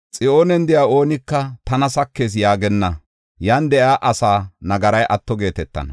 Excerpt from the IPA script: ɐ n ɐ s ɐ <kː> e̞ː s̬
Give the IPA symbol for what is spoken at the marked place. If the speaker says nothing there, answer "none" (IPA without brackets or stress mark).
kː